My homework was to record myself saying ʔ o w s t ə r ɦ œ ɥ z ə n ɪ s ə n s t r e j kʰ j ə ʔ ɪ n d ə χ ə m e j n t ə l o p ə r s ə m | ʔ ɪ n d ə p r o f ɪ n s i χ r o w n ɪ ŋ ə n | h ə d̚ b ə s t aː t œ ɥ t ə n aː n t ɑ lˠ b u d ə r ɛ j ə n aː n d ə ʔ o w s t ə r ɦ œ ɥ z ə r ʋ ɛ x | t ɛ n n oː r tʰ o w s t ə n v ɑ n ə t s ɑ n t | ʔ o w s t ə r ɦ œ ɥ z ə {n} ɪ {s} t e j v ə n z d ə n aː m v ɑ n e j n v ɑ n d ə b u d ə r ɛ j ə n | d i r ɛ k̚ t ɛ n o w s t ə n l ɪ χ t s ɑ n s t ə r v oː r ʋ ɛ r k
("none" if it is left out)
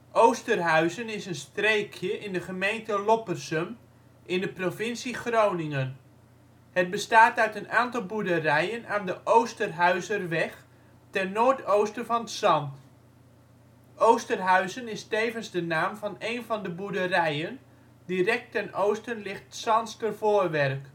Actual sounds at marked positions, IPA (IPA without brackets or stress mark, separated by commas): n, s